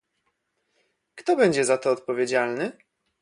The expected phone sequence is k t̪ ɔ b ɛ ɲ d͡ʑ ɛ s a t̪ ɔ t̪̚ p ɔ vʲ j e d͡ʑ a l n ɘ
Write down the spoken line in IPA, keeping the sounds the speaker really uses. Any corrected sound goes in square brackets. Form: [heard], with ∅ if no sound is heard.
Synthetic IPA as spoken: k t̪ ɔ b ɛ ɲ d͡ʑ ɛ [z] a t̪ [ɔː] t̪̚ p ɔ vʲ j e d͡ʑ a l n ɘ

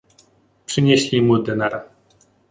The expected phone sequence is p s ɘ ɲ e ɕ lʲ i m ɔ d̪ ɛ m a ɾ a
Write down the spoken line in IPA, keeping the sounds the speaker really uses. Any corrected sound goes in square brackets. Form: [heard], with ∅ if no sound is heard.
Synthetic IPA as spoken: p [ʂ] ɘ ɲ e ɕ lʲ i m [u] d̪ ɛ [n] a ɾ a

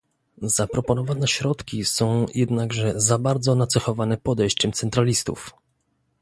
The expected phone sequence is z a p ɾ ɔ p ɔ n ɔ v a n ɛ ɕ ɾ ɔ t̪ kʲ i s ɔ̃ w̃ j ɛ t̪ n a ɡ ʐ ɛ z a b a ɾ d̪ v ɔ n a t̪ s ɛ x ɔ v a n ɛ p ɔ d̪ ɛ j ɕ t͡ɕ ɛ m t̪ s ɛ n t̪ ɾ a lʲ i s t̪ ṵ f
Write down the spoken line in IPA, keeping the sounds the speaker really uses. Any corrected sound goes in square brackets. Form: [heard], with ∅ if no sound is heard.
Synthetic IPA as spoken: z a p ɾ ɔ p ɔ n ɔ v a n ɛ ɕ ɾ ɔ t̪ kʲ i s ɔ̃ w̃ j ɛ [d̪] n a ɡ ʐ ɛ z a b a ɾ d̪ [z] ɔ n a t̪ s ɛ x ɔ v a n ɛ p ɔ d̪ ɛ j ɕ t͡ɕ ɛ m t̪ s ɛ n t̪ ɾ a lʲ i s t̪ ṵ f

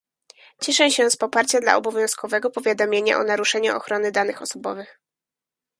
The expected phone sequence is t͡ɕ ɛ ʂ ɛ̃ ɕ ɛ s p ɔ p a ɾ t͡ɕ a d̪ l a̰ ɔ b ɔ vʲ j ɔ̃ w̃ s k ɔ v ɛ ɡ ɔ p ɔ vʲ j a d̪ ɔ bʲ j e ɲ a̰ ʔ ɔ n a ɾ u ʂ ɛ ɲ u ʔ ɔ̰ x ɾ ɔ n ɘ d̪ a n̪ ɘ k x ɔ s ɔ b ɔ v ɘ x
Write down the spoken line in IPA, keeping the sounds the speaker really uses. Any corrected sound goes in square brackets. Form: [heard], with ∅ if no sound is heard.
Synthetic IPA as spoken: t͡ɕ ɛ ʂ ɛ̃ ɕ ɛ s p ɔ p a ɾ t͡ɕ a d̪ l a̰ ɔ b ɔ vʲ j ɔ̃ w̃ s k ɔ v ɛ ɡ ɔ p ɔ vʲ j a d̪ ɔ [mʲ] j e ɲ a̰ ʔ ɔ n a ɾ u ʂ ɛ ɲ u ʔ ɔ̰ x ɾ ɔ n ɘ d̪ a n̪ ɘ [∅] x ɔ s ɔ b ɔ v ɘ x

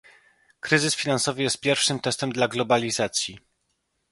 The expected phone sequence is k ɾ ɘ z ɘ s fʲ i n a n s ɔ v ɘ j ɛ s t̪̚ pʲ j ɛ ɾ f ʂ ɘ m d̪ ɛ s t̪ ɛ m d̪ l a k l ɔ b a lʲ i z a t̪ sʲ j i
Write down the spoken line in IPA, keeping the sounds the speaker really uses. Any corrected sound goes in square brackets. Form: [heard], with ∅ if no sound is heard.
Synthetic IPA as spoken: k ɾ ɘ z ɘ s fʲ i n a n s ɔ v ɘ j ɛ s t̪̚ pʲ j ɛ ɾ f ʂ ɘ m [t̪] ɛ s t̪ ɛ m d̪ l a [ɡ] l ɔ b a lʲ i z a t̪ sʲ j i

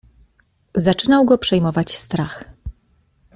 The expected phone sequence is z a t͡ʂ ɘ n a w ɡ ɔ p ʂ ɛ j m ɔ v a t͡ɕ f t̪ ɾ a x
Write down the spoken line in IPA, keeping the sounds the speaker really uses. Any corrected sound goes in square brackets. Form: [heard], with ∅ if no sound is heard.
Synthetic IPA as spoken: z a t͡ʂ ɘ n a w ɡ ɔ p ʂ ɛ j m ɔ v a t͡ɕ [s] t̪ ɾ a x

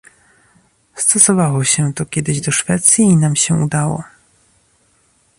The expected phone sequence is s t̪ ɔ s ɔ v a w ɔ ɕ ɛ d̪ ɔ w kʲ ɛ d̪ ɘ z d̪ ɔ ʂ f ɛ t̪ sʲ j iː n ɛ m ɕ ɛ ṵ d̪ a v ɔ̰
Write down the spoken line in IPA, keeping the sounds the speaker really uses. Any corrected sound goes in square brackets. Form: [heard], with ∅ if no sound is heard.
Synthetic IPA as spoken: s t̪ ɔ s ɔ v a w ɔ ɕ ɛ [t̪] ɔ [∅] kʲ ɛ d̪ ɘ [ʑ] d̪ ɔ ʂ f ɛ t̪ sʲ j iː n [a] m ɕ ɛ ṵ d̪ a [w] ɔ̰

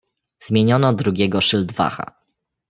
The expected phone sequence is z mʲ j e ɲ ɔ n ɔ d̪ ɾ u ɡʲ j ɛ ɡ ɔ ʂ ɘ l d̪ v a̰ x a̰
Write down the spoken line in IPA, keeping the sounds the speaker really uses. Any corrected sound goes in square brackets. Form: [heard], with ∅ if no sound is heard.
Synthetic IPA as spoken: z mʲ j e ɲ ɔ n ɔ d̪ ɾ u ɡʲ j ɛ ɡ ɔ ʂ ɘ l d̪ v a̰ x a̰

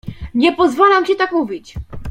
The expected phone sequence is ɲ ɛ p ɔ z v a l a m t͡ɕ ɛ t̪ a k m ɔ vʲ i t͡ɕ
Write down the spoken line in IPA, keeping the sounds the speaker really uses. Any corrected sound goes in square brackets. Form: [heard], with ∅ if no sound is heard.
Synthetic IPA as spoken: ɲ ɛ p ɔ z v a l a m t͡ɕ ɛ t̪ a k m [u] vʲ i t͡ɕ

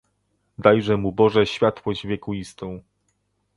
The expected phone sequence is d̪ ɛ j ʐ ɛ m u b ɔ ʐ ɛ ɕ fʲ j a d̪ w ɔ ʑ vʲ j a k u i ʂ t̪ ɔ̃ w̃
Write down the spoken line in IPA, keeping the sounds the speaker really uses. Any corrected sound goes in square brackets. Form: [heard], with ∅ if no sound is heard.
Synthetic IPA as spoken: d̪ [a] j ʐ ɛ m u b ɔ ʐ ɛ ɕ fʲ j a [t̪] w ɔ ʑ vʲ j [ɛ] k u i [s] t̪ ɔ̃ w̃

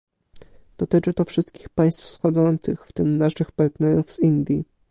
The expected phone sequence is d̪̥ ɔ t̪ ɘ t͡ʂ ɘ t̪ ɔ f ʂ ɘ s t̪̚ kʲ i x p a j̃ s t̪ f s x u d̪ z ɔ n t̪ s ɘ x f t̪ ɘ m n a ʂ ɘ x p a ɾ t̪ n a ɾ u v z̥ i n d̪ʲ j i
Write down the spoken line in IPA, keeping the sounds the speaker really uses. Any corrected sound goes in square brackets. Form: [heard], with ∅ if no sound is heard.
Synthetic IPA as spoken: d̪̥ ɔ t̪ ɘ t͡ʂ ɘ t̪ ɔ f ʂ ɘ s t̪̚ kʲ i x p a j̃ s t̪ f s x [ɔ] d̪ z ɔ n t̪ s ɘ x f t̪ ɘ m n a ʂ ɘ x p a ɾ t̪ n [ɛ] ɾ u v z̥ i n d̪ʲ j i

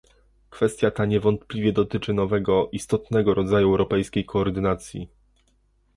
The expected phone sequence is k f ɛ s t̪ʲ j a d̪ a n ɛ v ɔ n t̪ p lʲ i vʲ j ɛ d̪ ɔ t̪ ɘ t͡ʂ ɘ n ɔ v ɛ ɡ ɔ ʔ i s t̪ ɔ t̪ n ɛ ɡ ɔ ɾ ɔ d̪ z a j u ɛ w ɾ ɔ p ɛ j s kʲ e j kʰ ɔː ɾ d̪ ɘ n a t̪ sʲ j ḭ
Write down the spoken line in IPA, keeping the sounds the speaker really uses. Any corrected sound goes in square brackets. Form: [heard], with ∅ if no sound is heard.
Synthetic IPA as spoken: k f ɛ s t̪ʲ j a [t̪] a [ɲ] ɛ v ɔ n t̪ p lʲ i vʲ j ɛ d̪ ɔ t̪ ɘ t͡ʂ ɘ n ɔ v ɛ ɡ ɔ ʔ i s t̪ ɔ t̪ n ɛ ɡ ɔ ɾ ɔ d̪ z a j u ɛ w ɾ ɔ p ɛ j s kʲ e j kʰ ɔː ɾ d̪ ɘ n a t̪ sʲ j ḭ

